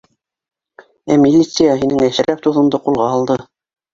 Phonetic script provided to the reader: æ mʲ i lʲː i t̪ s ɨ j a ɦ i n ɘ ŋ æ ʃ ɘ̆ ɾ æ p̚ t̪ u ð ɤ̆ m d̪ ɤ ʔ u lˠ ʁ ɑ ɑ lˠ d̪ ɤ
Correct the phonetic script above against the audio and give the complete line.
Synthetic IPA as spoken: æ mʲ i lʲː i t̪ s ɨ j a ɦ i n ɘ ŋ æ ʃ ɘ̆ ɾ æ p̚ t̪ u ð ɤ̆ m d̪ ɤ q u lˠ ʁ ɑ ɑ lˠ d̪ ɤ